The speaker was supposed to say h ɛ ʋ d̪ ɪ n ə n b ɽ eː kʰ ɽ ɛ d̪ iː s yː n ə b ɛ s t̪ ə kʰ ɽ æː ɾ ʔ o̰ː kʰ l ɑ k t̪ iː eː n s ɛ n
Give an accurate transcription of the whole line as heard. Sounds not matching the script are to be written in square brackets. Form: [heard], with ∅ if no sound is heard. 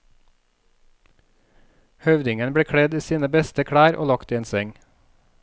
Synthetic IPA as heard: h [œ] ʋ d̪ ɪ [ŋ] ə n b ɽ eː kʰ ɽ ɛ d̪ iː s [iː] n ə b ɛ s t̪ ə kʰ ɽ æː ɾ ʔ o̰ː [∅] l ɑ k t̪ iː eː n s ɛ [ŋ]